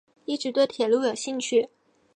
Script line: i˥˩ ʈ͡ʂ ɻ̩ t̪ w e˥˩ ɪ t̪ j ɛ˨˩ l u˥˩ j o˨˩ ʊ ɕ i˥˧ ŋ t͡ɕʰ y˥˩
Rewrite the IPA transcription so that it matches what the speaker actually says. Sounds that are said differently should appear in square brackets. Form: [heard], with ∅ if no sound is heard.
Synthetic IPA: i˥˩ ʈ͡ʂ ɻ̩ t̪ w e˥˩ ɪ [t̪ʰ] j ɛ˨˩ l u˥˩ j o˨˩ ʊ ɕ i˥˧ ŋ t͡ɕʰ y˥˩